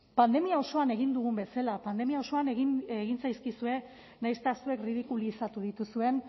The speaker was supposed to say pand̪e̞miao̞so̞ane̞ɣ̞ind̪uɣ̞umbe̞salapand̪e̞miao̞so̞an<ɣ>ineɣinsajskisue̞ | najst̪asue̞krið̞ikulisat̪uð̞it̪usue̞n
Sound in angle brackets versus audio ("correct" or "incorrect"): correct